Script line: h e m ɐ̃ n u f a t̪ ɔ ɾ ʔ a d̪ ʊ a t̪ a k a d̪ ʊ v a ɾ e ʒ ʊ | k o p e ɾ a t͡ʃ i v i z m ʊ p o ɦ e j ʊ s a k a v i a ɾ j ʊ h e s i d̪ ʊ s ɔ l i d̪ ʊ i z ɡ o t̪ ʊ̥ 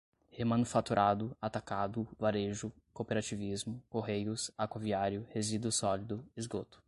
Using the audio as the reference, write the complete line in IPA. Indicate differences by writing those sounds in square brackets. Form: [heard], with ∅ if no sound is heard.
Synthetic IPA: h e m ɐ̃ n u f a t̪ [u] ɾ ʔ a d̪ ʊ a t̪ a k a d̪ ʊ v a ɾ e ʒ ʊ | k o p e ɾ a t͡ʃ i v i z m ʊ [k] o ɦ e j ʊ s a k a v i a ɾ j ʊ h e [z] i d̪ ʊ s ɔ l i d̪ ʊ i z ɡ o t̪ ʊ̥